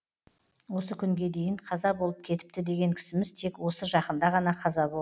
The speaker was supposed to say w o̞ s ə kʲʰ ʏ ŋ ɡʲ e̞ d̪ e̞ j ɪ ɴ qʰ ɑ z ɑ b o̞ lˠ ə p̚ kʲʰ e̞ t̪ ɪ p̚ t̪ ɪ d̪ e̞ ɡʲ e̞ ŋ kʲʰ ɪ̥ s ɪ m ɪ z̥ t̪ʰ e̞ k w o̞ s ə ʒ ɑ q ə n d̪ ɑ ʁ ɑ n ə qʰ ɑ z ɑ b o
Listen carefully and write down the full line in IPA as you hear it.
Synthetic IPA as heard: w o̞ s ə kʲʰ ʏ ŋ ɡʲ e̞ d̪ e̞ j ɪ ɴ qʰ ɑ z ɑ b o̞ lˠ ə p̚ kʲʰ e̞ t̪ ɪ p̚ t̪ ɪ d̪ e̞ ɡʲ e̞ ŋ kʲʰ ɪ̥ s ɪ m ɪ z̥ t̪ʰ e̞ k w o̞ s ə ʒ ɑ q ə n d̪ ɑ ʁ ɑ n ɑ qʰ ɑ z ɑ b o